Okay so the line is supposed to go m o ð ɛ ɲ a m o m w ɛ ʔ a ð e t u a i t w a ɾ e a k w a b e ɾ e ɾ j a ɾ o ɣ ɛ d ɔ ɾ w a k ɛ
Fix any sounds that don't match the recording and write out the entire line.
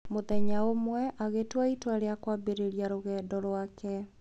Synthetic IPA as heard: m o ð ɛ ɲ a o m w ɛ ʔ a ɣ e t w a i t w a ɾ e a k w a b e ɾ e ɾ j a ɾ o ɣ ɛ d ɔ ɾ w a k ɛ